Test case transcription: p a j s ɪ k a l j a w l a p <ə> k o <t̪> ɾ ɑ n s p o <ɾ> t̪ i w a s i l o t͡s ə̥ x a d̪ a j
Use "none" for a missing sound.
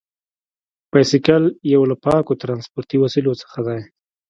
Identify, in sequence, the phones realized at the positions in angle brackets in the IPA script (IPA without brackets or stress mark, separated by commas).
ɑ, t̪, ɾ